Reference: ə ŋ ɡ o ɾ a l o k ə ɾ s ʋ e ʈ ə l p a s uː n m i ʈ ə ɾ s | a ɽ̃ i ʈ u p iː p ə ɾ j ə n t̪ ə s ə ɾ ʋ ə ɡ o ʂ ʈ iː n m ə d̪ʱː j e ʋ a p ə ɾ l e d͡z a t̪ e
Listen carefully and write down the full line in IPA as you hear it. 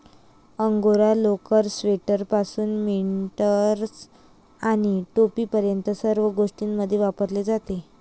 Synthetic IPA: ə ŋ ɡ o ɾ a l o k ə ɾ s ʋ e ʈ ə ɾ p a s uː n m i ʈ ə ɾ s | a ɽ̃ i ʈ o p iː p ə ɾ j ə n t̪ ə s ə ɾ ʋ ə ɡ o ʂ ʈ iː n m ə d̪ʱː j e ʋ a p ə ɾ l e d͡z a t̪ e